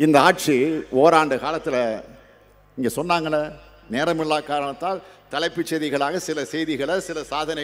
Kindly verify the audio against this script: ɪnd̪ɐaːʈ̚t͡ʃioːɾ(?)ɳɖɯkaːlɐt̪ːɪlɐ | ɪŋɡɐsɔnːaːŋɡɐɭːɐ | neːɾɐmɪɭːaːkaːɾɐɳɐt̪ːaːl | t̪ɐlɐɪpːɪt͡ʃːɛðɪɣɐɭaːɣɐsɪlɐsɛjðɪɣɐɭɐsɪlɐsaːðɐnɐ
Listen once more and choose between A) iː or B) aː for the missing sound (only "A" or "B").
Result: B